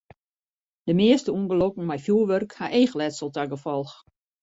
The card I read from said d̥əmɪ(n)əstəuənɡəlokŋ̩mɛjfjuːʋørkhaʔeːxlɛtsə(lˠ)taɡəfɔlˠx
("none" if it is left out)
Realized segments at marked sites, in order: none, lˠ

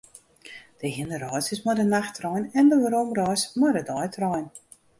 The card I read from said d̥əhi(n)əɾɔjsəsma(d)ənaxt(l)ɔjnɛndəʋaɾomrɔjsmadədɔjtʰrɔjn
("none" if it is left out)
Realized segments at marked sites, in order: n, d, r

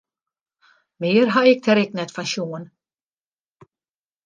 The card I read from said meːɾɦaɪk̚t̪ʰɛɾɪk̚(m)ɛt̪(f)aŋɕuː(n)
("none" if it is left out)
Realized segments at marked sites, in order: n, f, n

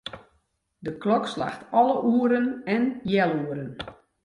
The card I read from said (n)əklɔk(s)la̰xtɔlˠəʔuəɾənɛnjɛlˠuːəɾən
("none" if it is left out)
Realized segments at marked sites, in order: d, s

